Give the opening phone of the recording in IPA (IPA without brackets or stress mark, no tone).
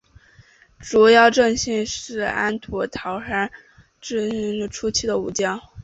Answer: ʈ͡ʂ